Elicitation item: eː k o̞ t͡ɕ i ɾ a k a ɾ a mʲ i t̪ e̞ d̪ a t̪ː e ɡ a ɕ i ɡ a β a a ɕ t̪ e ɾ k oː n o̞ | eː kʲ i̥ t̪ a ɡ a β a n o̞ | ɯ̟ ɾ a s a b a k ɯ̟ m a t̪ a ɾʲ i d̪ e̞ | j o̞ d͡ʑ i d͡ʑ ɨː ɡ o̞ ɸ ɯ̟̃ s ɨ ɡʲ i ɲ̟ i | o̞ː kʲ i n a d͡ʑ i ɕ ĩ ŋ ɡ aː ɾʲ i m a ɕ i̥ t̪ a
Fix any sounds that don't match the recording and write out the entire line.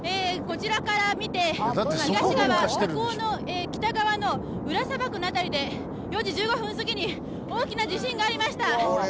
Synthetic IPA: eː k o̞ t͡ɕ i ɾ a k a ɾ a mʲ i t̪ e̞ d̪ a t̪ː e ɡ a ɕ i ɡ a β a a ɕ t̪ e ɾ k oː n o̞ | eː kʲ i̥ t̪ a ɡ a β a n o̞ | ɯ̟ ɾ a s a b a k ɯ̟ n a t̪ a ɾʲ i d̪ e̞ | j o̞ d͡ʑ i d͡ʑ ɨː ɡ o̞ ɸ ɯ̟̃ s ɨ ɡʲ i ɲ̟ i | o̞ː kʲ i n a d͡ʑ i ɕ ĩ ŋ ɡ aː ɾʲ i m a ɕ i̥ t̪ a